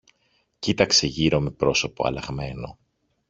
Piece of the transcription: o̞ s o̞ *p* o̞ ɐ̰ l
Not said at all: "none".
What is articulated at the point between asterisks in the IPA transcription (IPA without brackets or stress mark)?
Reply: p